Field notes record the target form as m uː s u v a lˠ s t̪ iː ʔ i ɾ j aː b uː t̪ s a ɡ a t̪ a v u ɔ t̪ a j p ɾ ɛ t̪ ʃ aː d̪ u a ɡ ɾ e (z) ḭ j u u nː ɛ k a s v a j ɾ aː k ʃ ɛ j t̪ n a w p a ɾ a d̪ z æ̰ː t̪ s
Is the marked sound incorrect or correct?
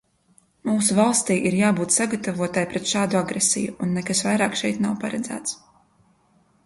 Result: incorrect